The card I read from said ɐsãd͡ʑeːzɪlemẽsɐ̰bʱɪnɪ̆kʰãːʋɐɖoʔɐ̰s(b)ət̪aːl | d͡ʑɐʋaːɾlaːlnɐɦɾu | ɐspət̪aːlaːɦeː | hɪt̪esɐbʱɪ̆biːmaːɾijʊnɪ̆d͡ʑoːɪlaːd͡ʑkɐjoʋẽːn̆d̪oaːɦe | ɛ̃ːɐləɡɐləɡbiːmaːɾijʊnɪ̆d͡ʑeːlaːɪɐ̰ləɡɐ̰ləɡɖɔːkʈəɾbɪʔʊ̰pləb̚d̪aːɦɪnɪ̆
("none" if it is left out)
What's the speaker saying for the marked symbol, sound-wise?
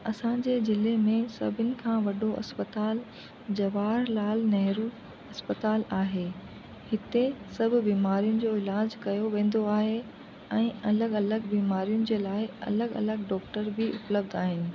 p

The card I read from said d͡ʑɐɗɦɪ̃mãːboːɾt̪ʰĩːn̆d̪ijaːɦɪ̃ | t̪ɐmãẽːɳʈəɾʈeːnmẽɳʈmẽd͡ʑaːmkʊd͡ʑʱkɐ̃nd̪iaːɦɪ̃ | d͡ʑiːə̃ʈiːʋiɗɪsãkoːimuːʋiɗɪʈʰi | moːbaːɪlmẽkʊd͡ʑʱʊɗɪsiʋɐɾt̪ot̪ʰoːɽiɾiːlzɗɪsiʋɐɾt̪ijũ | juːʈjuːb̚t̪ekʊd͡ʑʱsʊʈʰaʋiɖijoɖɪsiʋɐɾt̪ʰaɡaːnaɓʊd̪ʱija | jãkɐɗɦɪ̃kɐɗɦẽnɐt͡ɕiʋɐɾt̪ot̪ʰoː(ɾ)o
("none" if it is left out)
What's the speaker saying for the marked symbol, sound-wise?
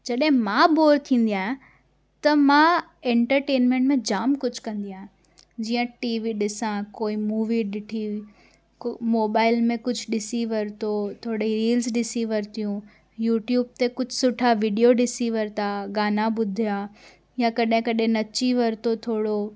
ɽ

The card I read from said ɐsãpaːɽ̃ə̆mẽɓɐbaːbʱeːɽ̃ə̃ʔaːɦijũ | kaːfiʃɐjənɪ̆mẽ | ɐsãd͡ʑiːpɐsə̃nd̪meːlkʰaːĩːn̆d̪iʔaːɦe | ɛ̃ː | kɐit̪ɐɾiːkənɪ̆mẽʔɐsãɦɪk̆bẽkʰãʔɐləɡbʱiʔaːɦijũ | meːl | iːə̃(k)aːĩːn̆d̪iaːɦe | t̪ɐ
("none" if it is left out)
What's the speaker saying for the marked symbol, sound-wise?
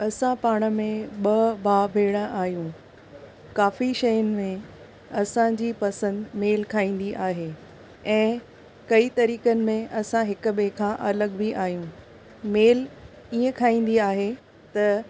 kʰ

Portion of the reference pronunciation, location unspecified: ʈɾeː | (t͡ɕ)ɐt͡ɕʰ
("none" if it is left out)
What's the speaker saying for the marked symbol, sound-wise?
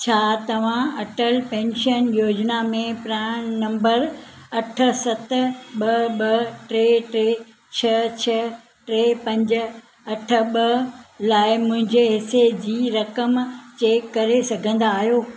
t͡ɕʰ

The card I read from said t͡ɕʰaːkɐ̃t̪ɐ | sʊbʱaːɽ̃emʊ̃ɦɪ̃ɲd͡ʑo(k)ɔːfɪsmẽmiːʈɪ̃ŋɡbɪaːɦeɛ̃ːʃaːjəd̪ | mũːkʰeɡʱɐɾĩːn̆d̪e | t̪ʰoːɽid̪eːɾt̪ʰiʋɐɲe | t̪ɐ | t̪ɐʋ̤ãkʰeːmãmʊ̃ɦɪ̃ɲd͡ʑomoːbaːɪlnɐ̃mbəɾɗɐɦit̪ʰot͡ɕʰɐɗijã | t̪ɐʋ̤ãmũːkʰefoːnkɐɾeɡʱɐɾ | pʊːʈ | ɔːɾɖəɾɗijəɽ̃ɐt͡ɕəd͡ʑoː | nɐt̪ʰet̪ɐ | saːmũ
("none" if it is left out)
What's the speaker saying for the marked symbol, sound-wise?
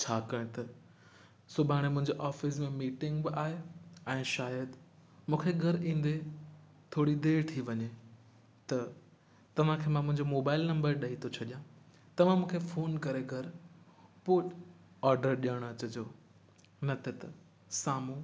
ʔ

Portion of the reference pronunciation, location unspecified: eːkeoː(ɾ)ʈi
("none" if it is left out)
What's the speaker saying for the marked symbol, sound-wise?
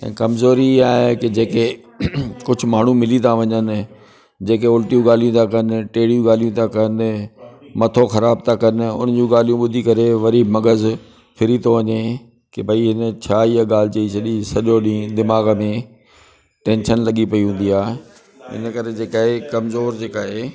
l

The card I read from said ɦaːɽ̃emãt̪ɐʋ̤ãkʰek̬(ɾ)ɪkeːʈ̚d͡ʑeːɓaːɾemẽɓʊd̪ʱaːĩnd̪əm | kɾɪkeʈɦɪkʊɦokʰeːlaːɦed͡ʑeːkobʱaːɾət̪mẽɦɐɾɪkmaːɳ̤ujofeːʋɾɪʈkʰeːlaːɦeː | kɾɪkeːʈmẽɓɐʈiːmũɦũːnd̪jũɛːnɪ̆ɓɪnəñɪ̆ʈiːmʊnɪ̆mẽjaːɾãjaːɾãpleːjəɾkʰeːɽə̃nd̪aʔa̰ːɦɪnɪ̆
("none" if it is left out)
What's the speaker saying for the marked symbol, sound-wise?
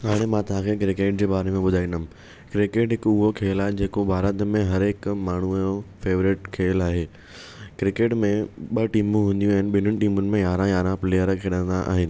ɾ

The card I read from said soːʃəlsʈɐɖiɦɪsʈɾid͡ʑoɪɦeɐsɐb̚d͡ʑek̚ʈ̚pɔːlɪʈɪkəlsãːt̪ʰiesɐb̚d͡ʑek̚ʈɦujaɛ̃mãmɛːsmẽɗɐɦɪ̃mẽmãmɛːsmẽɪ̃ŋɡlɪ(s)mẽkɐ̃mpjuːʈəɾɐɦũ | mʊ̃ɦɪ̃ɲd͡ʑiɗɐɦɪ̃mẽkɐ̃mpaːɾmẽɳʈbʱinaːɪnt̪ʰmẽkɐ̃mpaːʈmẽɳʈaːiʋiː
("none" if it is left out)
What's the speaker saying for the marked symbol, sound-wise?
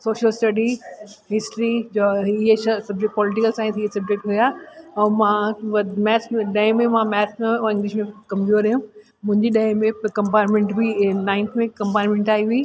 ʃ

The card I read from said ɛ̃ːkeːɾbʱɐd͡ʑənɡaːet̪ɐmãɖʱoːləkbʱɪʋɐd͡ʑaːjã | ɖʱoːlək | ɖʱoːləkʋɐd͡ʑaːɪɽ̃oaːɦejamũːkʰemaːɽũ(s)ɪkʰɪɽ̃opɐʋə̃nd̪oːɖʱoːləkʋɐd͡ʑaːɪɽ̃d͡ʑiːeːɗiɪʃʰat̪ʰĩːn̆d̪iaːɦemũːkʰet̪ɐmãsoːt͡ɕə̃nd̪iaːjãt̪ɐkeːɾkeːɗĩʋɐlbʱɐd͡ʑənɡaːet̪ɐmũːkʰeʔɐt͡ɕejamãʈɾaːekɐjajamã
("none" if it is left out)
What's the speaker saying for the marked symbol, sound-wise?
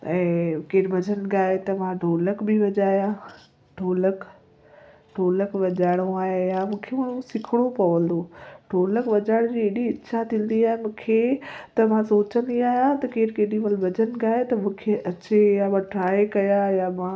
s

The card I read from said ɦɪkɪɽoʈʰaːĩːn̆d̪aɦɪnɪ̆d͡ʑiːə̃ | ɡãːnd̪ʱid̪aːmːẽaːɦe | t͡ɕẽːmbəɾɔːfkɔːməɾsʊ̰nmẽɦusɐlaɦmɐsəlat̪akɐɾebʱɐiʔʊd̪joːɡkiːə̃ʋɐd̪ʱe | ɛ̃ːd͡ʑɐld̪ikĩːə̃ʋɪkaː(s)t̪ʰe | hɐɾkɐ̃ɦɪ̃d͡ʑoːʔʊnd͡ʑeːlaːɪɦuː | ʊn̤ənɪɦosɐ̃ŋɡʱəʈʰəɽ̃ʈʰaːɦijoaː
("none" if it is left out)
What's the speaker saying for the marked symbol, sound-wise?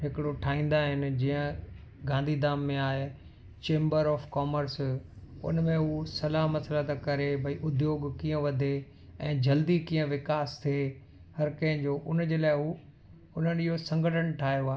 s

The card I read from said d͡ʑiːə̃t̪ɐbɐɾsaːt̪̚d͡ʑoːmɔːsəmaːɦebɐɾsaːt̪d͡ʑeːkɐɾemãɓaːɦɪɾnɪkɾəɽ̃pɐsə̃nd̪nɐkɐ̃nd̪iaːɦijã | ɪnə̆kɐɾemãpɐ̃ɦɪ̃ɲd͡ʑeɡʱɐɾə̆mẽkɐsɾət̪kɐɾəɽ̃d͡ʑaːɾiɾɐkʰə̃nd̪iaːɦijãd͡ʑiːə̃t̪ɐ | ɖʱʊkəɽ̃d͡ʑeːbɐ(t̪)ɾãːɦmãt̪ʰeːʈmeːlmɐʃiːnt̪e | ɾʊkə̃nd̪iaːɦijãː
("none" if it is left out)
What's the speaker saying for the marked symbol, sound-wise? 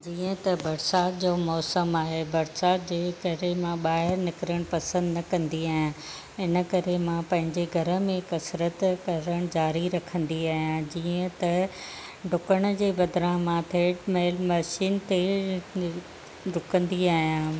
d̪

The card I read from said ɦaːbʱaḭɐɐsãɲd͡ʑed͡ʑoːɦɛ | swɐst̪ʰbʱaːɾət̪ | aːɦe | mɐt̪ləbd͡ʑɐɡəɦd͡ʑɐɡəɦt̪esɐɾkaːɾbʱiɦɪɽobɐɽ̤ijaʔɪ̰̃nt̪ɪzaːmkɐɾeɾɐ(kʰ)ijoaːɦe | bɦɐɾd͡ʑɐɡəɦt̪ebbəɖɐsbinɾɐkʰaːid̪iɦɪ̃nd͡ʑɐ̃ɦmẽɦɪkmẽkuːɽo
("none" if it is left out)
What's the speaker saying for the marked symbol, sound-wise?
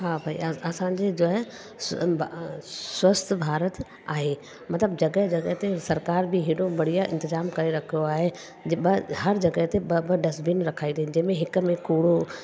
kʰ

